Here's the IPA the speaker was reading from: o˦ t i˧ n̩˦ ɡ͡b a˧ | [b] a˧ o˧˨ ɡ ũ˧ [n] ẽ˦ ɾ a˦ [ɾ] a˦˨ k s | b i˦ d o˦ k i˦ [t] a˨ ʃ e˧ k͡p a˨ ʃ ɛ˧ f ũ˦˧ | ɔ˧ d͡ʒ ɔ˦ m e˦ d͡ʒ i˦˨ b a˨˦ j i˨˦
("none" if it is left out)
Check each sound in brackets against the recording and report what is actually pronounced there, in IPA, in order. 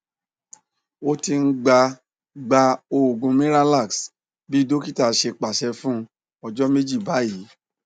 ɡ͡b, m, l, t

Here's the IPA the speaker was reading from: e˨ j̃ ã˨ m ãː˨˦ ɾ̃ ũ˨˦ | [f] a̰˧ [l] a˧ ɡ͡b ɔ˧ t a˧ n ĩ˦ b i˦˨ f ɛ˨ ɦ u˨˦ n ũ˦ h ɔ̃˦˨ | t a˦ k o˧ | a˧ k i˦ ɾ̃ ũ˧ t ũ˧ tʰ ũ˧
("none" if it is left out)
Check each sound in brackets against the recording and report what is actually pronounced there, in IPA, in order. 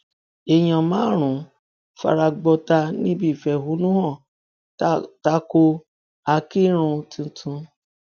f, ɾ

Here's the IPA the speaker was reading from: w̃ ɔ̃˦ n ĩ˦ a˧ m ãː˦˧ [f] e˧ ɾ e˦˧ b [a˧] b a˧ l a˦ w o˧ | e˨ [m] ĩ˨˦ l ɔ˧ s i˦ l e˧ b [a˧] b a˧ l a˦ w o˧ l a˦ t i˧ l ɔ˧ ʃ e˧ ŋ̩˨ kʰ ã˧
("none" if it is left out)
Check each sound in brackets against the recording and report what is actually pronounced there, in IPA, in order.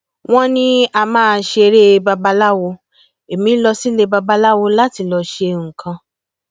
ʃ, a˧, m, a˧

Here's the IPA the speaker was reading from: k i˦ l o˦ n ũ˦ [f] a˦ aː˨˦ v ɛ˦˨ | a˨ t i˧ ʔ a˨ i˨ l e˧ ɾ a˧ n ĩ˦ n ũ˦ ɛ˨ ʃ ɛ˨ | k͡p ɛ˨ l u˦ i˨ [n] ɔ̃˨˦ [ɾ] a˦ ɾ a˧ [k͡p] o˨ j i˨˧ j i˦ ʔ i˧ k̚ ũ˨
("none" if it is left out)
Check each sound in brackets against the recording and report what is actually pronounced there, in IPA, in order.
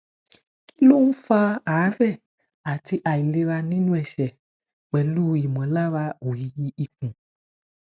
f, m, l, none

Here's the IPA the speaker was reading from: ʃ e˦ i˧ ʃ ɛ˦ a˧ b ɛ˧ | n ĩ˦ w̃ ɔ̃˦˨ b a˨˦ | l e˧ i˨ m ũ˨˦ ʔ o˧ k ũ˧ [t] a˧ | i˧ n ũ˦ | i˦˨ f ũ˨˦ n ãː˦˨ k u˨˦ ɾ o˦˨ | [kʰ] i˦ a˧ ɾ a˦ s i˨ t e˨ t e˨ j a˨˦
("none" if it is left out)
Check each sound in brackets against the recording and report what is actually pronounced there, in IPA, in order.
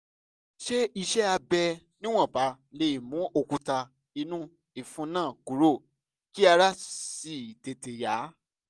t, k

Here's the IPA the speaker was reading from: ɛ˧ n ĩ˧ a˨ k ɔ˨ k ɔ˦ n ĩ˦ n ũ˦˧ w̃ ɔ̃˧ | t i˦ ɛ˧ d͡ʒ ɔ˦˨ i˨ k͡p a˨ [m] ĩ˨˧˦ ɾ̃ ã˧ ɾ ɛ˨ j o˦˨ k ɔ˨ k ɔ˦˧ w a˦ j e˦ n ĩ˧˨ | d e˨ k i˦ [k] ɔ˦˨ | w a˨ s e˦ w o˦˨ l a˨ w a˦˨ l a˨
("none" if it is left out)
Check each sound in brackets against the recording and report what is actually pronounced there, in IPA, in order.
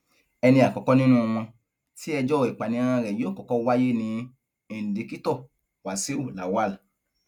n, t

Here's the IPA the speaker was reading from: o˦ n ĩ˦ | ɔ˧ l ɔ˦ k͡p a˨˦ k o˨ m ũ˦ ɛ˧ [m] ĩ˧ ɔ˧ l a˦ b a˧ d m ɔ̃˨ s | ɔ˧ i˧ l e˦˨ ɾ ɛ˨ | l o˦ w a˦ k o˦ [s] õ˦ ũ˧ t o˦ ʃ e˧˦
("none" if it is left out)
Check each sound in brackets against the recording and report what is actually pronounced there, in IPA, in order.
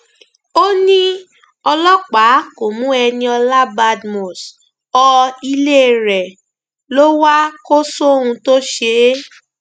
n, s

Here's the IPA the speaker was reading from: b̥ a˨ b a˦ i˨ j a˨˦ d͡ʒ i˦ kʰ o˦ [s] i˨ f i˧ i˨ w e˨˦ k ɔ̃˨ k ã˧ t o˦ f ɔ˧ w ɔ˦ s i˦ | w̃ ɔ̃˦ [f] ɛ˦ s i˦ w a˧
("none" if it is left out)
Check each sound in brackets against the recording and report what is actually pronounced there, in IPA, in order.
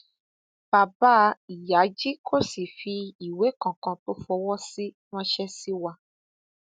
s, ʃ

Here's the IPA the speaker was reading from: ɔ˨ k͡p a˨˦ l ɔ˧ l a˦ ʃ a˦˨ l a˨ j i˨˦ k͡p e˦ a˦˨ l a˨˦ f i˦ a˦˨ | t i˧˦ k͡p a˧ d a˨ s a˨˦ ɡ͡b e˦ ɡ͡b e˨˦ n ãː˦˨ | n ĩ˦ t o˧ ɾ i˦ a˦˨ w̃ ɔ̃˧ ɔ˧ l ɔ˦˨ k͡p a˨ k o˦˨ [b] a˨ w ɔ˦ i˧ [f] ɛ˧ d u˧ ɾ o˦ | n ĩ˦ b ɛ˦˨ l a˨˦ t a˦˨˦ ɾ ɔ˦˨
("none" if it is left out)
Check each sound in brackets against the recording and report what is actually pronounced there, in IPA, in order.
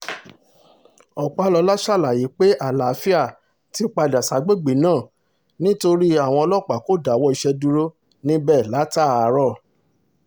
d, ʃ

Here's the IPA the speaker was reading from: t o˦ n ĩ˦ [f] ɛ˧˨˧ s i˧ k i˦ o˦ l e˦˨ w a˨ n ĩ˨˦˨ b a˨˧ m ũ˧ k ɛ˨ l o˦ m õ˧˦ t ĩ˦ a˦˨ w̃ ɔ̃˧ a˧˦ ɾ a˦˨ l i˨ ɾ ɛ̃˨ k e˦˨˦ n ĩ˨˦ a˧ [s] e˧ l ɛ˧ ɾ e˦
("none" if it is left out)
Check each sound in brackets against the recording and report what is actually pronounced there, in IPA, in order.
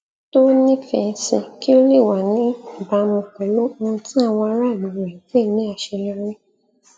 f, ʃ

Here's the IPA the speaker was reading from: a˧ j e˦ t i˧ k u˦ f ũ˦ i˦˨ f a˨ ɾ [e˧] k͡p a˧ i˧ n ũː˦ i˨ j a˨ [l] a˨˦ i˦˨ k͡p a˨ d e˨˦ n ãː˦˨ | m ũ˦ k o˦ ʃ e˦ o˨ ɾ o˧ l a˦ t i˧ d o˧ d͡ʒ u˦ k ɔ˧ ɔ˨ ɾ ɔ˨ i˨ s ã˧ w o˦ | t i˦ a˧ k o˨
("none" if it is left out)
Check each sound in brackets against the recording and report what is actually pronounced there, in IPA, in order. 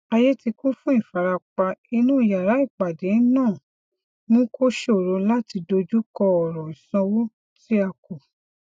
a˧, ɾ

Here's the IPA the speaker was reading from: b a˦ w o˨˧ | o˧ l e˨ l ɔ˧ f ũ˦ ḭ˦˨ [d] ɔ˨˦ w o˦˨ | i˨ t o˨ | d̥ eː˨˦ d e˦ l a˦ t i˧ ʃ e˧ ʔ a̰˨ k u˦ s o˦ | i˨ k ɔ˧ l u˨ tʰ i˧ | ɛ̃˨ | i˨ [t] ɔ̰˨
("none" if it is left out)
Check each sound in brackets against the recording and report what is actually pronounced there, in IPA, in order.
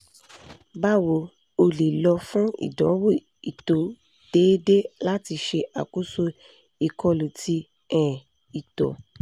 d, t

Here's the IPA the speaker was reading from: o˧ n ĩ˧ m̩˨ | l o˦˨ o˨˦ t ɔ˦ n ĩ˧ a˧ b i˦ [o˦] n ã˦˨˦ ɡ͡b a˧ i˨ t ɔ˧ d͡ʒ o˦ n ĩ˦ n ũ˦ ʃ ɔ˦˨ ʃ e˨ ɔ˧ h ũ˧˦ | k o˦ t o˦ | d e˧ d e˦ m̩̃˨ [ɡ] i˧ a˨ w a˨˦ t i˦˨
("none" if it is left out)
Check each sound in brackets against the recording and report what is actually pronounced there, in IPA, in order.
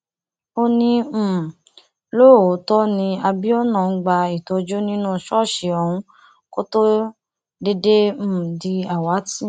ɔ˦, d

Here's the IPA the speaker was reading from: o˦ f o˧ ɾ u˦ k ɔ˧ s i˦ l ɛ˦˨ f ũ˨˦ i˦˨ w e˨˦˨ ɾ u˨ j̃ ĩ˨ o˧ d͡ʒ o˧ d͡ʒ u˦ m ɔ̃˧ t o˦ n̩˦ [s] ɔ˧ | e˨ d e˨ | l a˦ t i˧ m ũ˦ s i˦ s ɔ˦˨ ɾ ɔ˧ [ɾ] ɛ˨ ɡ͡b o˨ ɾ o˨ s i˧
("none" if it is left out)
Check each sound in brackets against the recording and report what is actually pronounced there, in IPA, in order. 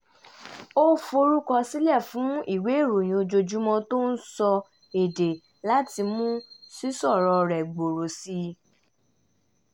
s, ɾ

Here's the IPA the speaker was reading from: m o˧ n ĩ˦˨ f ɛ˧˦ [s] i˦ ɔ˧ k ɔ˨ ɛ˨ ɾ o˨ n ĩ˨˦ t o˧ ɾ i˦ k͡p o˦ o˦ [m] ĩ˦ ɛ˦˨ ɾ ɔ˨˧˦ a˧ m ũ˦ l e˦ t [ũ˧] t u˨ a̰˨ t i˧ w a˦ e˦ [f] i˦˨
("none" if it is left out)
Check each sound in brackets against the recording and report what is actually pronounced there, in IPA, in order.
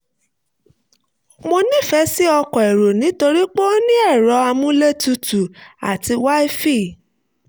s, n, u˧, f

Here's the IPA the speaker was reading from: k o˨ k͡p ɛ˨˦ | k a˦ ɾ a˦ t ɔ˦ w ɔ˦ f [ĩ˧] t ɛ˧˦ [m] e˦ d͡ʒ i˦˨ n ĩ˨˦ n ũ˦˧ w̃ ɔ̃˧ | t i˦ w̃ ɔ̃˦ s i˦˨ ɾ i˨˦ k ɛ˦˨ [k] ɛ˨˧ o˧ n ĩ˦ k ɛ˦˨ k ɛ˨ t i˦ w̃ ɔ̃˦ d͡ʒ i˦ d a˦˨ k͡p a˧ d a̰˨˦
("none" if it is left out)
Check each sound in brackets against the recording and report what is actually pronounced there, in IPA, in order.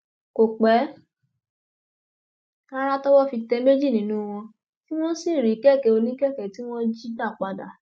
i˧, m, k

